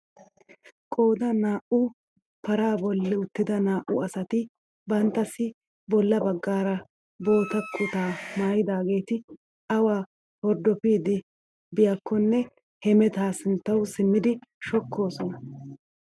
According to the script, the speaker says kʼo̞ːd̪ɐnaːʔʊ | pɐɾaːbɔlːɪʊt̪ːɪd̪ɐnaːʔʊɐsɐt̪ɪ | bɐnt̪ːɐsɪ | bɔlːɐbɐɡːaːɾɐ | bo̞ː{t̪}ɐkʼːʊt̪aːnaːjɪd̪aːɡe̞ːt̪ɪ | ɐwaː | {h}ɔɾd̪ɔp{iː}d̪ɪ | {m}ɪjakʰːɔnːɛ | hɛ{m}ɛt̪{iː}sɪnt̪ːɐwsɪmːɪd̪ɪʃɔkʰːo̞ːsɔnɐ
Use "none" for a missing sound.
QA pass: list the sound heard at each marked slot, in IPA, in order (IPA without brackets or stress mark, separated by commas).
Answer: t̪, h, iː, b, m, aː